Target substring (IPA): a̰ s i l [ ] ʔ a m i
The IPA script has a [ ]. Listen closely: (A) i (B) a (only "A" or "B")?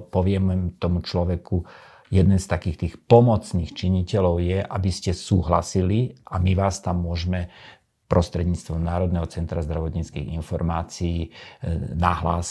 A